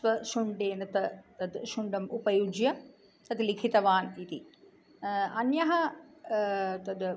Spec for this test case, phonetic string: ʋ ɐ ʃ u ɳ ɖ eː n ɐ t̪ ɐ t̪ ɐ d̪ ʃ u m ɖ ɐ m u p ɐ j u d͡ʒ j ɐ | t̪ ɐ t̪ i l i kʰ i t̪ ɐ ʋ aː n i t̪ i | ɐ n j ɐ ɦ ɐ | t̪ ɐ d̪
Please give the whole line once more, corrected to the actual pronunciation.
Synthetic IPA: ʋ ɐ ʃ u ɳ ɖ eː n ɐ t̪ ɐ t̪ ɐ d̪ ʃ u ɳ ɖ ɐ m u p ɐ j u d͡ʒ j ɐ | t̪ ɐ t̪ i l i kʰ i t̪ ɐ ʋ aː n i t̪ i | ɐ n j ɐ ɦ ɐ | t̪ ɐ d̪